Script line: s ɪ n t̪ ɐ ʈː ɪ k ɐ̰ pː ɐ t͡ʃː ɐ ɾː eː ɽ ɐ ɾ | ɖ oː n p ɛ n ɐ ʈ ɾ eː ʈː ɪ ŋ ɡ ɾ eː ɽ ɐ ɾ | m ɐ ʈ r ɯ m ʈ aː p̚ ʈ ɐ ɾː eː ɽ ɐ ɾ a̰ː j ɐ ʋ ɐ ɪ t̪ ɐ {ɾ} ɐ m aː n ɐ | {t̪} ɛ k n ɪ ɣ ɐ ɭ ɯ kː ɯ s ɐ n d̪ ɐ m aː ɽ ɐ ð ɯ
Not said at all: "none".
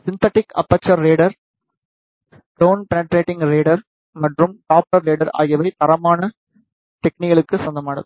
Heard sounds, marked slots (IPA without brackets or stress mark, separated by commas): ɾ, t̪